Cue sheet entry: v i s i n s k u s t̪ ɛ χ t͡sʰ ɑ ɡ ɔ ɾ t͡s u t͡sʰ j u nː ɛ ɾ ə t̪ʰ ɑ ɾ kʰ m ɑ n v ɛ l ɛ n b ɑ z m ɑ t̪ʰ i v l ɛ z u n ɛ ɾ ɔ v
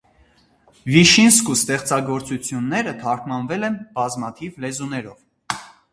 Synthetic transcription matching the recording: v i ʃ i n s k u s t̪ ɛ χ t͡s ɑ ɡ ɔ ɾ t͡s u t͡sʰ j u nː ɛ ɾ ə t̪ʰ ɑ ɾ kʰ m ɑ n v ɛ l ɛ n b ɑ z m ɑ t̪ʰ i v l ɛ z u n ɛ ɾ ɔ v